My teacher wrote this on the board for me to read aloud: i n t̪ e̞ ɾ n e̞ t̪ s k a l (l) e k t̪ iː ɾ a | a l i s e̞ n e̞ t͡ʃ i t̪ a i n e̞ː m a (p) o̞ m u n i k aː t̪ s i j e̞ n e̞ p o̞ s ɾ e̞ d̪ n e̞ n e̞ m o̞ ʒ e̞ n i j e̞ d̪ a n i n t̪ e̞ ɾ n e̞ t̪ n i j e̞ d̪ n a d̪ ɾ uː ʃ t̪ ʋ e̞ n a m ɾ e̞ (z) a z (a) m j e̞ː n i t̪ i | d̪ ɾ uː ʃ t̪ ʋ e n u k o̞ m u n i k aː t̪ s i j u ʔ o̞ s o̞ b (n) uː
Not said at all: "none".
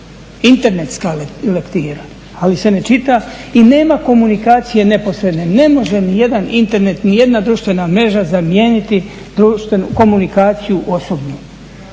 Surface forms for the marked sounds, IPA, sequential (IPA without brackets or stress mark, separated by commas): l, k, ʒ, a, n